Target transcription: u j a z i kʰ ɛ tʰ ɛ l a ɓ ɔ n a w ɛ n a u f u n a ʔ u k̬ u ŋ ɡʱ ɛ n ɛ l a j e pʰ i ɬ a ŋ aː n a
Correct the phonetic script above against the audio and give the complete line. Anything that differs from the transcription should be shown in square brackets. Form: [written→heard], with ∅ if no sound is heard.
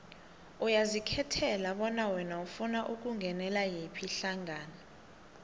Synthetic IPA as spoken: u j a z i kʰ ɛ tʰ ɛ l a ɓ ɔ n a w ɛ n a u f u n a ʔ u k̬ u ŋ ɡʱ ɛ n ɛ l a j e pʰ i ɬ a ŋ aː n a